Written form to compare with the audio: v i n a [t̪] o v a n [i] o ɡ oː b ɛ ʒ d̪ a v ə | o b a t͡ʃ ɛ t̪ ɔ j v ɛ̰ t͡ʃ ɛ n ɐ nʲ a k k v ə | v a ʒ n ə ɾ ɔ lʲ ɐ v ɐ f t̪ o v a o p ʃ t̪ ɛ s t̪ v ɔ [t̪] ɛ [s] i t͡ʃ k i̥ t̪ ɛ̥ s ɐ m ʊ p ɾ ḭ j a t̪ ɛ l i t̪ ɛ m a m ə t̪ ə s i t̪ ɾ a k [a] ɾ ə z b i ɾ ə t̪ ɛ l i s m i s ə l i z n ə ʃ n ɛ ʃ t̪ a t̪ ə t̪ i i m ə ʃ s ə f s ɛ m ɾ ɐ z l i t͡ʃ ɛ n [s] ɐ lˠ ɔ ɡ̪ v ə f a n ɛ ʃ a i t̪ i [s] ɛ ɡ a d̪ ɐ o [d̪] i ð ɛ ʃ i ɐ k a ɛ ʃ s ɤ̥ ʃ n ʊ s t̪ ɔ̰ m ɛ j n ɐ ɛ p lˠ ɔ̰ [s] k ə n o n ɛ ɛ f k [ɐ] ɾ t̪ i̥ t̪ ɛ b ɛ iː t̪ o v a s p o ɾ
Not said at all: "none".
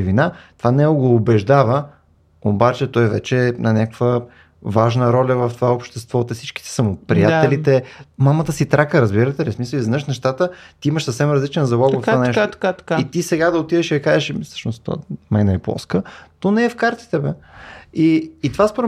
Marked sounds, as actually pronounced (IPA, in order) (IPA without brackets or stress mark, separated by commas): t̪, ɛ, t̪, s, ə, z, s, t̪, s, a